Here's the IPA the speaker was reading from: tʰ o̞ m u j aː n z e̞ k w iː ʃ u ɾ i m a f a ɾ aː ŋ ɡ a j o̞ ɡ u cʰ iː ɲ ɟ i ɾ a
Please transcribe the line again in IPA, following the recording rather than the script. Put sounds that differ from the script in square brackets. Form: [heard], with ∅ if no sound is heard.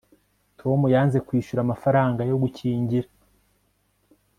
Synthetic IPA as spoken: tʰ o̞ m u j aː n z e̞ k w iː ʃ u ɾ [a] m a f a ɾ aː ŋ ɡ a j o̞ ɡ u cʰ iː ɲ ɟ i ɾ a